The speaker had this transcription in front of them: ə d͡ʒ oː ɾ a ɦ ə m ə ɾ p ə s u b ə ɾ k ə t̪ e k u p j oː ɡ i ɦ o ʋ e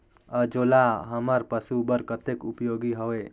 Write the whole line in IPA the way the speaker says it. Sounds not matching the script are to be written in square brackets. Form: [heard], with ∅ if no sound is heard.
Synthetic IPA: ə d͡ʒ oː [l] a ɦ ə m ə ɾ p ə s u b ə ɾ k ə t̪ e k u p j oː ɡ i ɦ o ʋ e